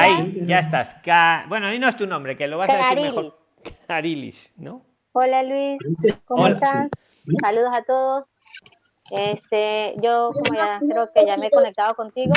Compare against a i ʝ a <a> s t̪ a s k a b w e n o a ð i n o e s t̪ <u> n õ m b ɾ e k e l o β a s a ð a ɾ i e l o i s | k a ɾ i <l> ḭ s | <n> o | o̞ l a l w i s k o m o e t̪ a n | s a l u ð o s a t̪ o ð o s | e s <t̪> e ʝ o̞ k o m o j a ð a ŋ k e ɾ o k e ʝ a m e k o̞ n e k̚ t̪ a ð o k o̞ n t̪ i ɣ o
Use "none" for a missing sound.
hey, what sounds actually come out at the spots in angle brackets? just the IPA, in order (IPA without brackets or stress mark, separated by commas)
e, u, l, n, t̪